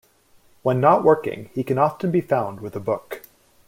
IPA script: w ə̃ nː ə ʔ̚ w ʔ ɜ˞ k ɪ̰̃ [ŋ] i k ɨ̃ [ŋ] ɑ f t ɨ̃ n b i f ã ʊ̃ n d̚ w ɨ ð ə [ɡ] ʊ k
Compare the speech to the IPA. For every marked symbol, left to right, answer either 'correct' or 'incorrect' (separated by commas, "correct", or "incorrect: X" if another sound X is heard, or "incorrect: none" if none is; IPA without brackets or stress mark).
correct, incorrect: n, incorrect: b